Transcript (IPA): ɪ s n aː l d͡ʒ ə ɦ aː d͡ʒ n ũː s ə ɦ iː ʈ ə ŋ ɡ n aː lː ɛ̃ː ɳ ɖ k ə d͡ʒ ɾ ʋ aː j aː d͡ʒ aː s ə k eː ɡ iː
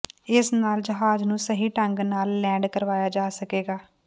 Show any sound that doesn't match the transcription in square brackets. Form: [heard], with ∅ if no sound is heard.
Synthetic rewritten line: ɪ s n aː l d͡ʒ ə ɦ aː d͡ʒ n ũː s ə ɦ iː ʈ ə ŋ ɡ n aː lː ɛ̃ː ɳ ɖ k ə [∅] ɾ ʋ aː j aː d͡ʒ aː s ə k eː ɡ [aː]